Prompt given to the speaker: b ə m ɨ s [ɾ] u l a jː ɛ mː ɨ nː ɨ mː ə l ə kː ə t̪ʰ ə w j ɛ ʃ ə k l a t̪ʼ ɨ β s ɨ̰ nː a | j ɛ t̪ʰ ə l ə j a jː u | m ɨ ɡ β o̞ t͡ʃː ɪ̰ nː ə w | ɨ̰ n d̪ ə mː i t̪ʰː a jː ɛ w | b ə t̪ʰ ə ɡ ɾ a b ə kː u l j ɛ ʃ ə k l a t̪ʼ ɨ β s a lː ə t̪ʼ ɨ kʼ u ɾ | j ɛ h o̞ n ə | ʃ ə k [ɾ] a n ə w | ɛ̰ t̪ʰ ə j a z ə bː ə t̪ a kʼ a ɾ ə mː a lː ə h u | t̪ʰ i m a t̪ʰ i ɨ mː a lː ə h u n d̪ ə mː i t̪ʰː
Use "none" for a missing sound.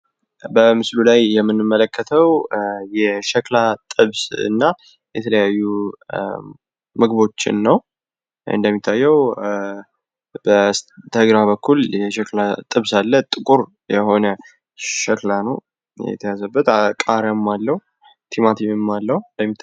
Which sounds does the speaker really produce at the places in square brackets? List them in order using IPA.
l, l

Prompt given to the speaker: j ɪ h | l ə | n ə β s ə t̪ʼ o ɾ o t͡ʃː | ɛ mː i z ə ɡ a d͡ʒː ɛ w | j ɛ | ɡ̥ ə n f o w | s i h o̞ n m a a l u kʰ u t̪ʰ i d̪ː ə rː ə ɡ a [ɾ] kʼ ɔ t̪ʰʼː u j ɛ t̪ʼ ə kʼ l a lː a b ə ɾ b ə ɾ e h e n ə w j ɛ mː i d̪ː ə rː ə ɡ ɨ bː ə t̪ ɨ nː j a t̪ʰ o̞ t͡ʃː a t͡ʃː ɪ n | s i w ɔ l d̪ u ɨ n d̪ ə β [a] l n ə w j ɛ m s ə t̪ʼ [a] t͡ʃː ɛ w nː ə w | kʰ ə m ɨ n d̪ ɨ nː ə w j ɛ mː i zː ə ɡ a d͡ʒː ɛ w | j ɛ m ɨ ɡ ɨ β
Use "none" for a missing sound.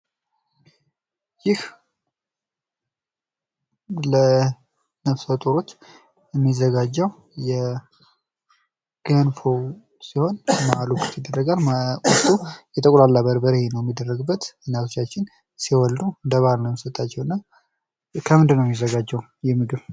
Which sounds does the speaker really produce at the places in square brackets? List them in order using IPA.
l, a, a

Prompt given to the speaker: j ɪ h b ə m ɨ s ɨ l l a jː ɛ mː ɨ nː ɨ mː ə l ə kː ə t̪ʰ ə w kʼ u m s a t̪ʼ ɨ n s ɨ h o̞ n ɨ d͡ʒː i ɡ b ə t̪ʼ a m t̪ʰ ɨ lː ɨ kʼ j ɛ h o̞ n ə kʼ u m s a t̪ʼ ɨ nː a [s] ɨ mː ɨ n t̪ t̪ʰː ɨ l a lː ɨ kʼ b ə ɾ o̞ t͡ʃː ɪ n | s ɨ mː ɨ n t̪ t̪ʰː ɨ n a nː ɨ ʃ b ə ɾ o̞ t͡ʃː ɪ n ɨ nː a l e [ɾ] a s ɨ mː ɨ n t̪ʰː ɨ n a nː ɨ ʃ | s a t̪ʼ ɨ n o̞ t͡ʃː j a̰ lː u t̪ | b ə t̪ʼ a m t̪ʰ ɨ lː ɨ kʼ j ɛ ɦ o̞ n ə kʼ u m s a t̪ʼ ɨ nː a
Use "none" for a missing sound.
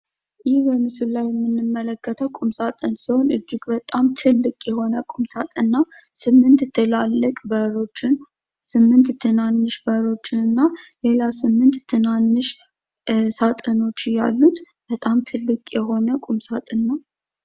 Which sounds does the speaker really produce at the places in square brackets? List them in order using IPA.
s, l

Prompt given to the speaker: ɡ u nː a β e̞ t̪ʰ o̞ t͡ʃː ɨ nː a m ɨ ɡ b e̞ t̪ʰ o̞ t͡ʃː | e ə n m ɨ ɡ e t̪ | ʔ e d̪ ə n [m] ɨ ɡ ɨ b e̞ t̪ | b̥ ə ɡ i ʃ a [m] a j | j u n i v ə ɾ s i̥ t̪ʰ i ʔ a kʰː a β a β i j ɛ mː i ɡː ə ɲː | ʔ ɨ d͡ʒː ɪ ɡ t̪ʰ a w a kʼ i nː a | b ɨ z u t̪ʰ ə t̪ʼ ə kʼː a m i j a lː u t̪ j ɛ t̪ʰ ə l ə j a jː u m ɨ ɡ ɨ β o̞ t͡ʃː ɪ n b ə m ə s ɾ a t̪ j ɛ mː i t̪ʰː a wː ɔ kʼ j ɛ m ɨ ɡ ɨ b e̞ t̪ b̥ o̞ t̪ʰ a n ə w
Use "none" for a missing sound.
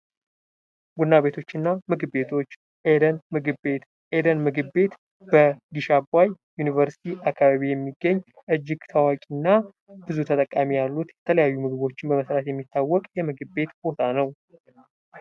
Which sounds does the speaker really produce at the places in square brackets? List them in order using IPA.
m, b

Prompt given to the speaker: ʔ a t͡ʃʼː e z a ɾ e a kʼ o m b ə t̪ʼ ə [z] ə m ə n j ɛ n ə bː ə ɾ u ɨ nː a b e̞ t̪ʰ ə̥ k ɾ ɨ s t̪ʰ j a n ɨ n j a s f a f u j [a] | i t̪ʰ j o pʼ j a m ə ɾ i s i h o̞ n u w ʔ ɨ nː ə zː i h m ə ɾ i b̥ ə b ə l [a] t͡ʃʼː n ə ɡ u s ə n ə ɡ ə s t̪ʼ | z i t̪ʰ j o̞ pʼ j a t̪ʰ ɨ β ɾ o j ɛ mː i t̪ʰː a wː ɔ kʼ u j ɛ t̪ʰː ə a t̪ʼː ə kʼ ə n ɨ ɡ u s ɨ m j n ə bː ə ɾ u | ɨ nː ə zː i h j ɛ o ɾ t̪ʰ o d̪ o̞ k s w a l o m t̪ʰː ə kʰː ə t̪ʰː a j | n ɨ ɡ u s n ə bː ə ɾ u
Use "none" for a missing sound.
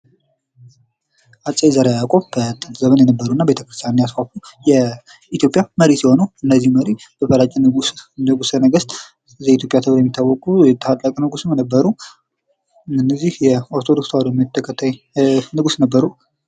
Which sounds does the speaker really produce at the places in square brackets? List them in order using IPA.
z, ɛ, a

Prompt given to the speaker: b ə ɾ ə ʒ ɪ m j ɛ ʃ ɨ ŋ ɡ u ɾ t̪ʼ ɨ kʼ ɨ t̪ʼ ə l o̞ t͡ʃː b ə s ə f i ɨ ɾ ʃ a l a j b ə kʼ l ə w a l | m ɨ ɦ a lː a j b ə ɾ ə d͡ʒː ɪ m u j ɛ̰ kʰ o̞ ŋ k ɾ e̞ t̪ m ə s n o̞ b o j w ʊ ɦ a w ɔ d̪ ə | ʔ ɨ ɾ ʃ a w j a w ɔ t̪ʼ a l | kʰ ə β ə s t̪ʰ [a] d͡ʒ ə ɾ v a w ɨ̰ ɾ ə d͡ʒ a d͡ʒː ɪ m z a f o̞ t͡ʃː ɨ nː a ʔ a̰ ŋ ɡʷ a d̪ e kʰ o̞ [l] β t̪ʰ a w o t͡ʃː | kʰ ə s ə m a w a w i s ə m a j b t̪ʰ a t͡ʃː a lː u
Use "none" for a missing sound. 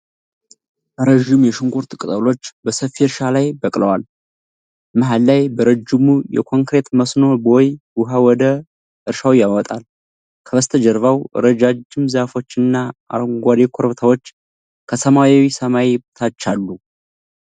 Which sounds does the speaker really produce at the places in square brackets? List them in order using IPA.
ə, ɾ

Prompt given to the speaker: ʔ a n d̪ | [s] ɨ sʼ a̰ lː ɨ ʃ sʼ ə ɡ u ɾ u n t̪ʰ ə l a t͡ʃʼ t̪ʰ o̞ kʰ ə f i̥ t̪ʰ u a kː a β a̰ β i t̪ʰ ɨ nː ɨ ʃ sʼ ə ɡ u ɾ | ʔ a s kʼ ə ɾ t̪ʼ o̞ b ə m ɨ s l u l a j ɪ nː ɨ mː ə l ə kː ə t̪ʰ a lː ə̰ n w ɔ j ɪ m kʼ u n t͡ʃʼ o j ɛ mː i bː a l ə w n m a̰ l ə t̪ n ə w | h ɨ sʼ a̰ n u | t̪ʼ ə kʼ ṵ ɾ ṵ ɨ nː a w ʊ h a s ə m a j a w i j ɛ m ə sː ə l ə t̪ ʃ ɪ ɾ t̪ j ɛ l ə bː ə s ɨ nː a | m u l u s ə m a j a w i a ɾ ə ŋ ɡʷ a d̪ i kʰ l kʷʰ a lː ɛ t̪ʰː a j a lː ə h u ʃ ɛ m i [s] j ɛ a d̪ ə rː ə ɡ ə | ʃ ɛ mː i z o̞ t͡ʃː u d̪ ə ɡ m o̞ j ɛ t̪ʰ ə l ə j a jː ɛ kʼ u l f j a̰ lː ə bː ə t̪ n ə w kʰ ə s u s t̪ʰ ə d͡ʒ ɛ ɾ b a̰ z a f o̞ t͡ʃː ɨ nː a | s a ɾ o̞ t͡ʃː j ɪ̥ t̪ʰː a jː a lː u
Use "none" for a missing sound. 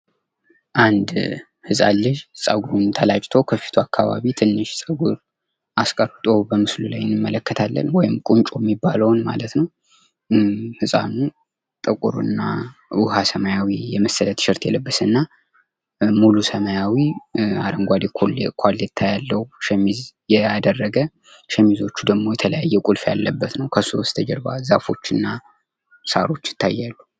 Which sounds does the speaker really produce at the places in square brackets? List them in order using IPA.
h, z

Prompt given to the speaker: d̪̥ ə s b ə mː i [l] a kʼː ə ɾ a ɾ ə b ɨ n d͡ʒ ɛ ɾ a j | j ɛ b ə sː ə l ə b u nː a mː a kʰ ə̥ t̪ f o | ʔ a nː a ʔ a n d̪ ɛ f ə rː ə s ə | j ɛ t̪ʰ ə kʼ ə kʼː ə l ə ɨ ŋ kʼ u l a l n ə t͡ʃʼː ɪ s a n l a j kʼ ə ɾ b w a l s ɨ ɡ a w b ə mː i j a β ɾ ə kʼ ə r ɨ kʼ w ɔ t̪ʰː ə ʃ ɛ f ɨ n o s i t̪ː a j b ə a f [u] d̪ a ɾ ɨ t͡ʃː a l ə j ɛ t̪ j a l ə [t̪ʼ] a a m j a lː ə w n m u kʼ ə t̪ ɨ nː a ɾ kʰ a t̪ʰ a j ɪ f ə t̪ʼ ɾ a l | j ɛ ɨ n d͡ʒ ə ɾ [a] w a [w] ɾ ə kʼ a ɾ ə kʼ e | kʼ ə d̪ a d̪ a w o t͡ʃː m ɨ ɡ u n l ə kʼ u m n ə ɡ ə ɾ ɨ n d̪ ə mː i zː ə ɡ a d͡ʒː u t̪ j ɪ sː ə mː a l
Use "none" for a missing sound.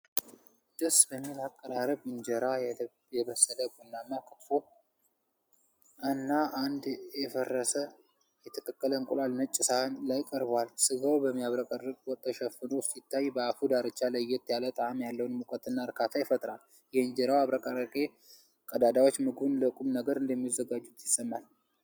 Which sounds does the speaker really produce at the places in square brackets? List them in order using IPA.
l, u, t̪ʼ, a, β

